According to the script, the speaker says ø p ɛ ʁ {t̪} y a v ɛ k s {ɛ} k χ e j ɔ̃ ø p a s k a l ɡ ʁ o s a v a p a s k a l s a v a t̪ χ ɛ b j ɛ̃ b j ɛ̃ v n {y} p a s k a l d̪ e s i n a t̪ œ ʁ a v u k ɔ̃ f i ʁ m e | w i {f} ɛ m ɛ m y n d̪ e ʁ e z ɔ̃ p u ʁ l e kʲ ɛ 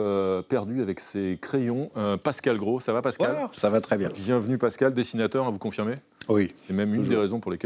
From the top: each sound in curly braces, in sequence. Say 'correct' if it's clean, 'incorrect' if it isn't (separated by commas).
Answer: incorrect, incorrect, correct, incorrect